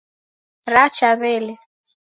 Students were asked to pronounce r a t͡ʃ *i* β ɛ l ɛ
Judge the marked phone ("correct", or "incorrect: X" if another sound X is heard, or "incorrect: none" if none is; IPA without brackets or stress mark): incorrect: a